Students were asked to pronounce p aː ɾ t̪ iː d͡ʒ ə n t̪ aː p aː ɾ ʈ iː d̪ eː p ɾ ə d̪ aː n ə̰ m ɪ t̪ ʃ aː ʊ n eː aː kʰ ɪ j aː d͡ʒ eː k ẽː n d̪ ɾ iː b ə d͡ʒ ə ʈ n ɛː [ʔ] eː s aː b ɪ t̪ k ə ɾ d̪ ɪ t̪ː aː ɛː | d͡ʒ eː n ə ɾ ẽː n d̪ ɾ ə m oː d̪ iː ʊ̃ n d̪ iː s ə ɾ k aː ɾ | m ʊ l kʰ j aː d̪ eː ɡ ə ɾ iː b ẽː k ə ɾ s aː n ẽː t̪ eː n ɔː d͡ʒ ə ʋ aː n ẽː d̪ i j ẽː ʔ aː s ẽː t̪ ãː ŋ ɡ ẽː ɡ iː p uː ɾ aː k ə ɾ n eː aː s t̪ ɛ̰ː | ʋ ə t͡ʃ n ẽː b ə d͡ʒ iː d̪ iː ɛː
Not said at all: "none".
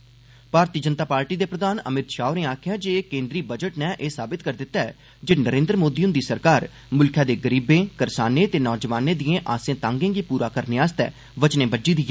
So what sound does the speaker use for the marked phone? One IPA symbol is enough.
ʔ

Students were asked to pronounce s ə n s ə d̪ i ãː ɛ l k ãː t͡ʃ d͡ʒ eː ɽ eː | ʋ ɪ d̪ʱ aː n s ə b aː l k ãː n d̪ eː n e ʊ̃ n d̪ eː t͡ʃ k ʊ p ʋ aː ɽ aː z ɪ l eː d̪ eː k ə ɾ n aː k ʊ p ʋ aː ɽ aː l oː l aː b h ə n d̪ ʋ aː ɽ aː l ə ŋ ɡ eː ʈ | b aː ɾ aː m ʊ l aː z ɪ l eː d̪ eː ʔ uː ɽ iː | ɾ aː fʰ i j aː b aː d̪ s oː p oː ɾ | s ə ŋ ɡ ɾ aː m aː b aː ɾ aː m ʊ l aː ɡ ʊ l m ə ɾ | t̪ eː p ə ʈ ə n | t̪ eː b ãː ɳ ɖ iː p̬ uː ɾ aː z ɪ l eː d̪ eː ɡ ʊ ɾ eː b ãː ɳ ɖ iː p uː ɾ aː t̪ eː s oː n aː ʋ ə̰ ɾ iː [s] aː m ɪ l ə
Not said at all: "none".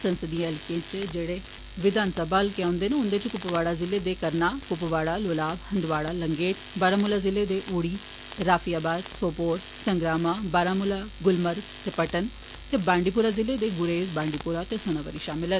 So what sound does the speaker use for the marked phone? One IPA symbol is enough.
ʃ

